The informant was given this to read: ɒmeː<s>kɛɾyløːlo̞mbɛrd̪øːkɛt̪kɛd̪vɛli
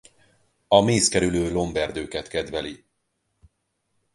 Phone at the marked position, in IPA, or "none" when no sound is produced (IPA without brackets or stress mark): s